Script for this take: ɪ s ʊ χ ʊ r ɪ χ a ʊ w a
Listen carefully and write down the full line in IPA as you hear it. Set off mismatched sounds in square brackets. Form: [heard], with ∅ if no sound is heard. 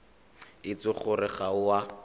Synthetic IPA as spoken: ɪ [t͡s] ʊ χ ʊ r ɪ χ a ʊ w a